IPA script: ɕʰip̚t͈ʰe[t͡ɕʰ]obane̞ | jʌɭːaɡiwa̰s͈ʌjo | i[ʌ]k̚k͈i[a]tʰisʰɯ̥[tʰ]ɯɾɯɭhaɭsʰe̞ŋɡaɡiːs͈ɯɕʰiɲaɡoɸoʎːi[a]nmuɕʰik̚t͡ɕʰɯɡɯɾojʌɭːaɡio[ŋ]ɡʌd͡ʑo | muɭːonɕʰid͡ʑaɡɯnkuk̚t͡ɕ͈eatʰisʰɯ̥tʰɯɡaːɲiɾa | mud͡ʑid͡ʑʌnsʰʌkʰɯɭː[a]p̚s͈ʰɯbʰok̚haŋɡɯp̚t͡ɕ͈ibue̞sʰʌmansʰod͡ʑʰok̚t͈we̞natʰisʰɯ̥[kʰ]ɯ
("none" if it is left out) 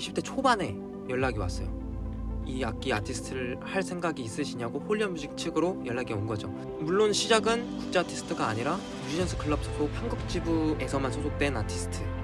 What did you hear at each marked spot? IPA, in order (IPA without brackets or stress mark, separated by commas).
t͡ɕʰ, a, a, tʰ, ʌ, n, ʌ, tʰ